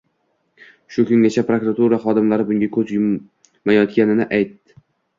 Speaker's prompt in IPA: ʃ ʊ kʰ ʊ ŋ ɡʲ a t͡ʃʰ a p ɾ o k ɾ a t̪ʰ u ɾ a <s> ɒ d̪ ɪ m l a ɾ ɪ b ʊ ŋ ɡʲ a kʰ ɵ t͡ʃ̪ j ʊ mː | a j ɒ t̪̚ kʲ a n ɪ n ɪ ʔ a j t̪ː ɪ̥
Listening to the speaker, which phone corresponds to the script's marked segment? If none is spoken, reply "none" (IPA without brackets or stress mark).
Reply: χ